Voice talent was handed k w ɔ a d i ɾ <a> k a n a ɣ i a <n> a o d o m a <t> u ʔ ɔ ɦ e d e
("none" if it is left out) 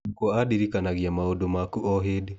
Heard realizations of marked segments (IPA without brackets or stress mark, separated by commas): i, m, k